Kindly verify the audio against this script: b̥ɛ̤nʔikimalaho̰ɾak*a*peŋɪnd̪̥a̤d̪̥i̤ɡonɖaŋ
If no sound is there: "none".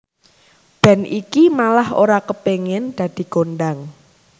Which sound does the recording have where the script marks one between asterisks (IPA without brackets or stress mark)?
ə